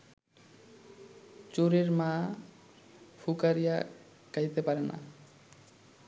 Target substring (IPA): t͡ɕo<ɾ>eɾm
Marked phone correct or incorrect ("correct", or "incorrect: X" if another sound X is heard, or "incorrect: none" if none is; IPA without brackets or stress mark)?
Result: correct